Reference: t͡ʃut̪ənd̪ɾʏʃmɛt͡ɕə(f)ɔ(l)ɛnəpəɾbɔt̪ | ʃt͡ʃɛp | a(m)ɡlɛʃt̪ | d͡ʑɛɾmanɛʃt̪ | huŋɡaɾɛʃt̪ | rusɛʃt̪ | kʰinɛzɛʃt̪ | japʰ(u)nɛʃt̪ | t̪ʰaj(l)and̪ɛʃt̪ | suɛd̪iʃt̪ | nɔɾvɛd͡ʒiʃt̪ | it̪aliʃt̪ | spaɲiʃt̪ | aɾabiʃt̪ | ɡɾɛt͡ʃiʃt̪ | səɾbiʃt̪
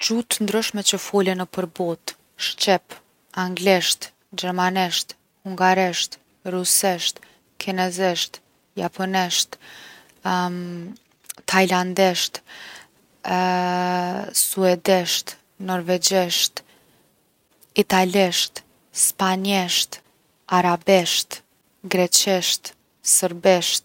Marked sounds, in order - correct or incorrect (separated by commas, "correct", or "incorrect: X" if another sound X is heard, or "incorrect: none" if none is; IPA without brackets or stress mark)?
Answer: correct, correct, incorrect: ŋ, incorrect: ɔ, correct